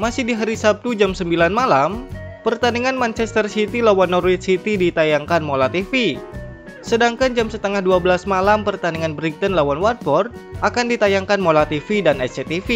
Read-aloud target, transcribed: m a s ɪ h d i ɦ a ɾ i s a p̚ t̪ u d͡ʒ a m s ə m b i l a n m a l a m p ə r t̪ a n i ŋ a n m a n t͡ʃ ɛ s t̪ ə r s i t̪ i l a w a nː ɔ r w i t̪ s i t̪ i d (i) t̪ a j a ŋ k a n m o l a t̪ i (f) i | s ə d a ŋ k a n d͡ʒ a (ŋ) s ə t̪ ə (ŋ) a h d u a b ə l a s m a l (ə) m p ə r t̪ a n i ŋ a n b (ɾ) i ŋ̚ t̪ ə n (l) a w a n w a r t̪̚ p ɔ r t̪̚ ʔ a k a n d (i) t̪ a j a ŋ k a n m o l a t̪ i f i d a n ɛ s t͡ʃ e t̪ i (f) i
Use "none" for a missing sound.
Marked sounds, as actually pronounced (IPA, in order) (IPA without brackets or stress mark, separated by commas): i, f, m, ŋ, a, ɾ, l, i, f